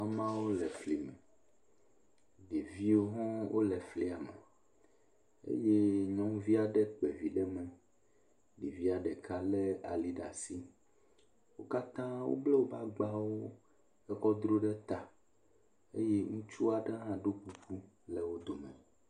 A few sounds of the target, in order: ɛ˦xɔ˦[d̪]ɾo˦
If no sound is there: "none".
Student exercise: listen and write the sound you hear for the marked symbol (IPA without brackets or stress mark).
d̪